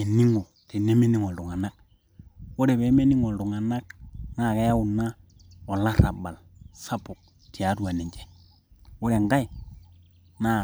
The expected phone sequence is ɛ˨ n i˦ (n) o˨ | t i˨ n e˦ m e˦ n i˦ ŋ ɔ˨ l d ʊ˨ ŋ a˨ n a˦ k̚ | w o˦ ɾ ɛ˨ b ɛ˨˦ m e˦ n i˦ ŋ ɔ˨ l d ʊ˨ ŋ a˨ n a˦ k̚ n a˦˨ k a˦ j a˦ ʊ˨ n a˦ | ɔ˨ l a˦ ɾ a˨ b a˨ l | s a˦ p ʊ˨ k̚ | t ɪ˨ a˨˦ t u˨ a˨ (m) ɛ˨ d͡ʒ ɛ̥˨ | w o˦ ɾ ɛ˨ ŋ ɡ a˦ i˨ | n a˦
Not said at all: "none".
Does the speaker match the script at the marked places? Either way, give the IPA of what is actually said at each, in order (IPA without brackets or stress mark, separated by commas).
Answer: ŋ, n